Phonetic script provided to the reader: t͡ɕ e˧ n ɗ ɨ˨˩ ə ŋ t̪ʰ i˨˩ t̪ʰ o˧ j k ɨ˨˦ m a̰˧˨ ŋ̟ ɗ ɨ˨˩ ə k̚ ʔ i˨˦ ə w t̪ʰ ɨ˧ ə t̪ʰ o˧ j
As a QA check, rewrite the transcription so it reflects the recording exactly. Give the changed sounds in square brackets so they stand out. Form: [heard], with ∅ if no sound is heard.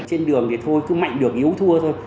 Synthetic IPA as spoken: t͡ɕ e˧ n ɗ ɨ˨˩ ə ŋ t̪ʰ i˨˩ t̪ʰ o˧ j k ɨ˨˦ m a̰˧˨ ŋ̟ ɗ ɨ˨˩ ə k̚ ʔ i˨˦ ə w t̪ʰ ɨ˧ ə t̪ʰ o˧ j